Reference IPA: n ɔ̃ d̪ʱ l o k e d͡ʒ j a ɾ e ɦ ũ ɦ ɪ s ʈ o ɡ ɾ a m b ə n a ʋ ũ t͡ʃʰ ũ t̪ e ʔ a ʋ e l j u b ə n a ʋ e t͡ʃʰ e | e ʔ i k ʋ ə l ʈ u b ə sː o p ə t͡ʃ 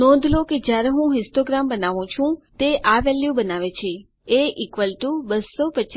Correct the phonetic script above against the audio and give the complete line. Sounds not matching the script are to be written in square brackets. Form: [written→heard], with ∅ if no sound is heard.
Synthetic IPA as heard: n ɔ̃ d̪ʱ l o k e d͡ʒ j a ɾ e ɦ ũ ɦ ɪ s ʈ o ɡ ɾ a m b ə n a ʋ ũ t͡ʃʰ ũ t̪ e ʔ a ʋ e l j u b ə n a ʋ e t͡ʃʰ e | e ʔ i k ʋ ə l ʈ u b ə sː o p ə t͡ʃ